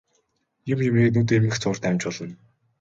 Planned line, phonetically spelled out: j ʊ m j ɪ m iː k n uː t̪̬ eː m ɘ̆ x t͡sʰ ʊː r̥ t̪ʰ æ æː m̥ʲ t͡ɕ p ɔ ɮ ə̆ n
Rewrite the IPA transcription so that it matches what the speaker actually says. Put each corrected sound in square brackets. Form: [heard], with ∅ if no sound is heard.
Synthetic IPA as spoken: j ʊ m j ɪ m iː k n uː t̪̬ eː m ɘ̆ x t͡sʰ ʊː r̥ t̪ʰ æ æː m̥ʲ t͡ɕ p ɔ ɮ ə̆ n